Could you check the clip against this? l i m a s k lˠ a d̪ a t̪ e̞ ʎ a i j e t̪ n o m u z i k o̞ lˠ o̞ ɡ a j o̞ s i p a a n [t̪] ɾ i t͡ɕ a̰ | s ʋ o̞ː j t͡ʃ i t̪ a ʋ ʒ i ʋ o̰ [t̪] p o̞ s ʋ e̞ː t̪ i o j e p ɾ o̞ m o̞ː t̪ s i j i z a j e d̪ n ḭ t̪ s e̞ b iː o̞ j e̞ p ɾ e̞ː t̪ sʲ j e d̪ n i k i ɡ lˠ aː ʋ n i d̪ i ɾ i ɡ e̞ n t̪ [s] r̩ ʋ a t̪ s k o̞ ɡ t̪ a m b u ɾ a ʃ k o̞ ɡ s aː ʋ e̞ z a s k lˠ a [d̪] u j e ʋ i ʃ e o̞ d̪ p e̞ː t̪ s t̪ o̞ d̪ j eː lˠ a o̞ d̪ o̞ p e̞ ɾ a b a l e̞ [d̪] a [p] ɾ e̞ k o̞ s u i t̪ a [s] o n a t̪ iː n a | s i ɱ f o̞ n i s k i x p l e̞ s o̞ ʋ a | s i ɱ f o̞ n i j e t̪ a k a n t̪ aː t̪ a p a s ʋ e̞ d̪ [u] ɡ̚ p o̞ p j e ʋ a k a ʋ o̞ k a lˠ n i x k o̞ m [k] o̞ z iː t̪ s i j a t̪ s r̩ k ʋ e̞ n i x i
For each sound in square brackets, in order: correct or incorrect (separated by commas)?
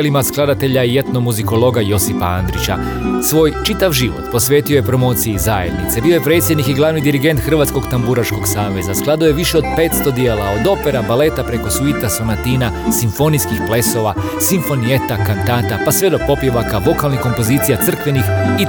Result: incorrect, correct, incorrect, correct, incorrect, correct, correct, incorrect, incorrect